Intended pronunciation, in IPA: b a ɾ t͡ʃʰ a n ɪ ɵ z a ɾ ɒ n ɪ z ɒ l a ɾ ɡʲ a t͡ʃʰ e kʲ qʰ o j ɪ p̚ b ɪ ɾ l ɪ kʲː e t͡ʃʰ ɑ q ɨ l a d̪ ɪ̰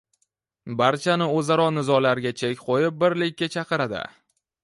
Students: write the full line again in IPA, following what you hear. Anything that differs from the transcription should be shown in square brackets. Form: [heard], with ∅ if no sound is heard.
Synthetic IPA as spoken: b a ɾ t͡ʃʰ a n ɪ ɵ z a ɾ ɒ n ɪ z ɒ l a ɾ ɡʲ a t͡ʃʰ e kʲ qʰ o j ɪ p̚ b ɪ ɾ l ɪ kʲː [a] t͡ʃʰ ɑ q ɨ [ɾ] a d̪ ɪ̰